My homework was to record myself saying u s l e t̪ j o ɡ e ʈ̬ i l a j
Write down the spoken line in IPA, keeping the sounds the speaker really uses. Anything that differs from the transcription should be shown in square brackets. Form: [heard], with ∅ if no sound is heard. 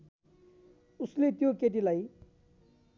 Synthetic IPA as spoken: u s l e t̪ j o [k] e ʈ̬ i l a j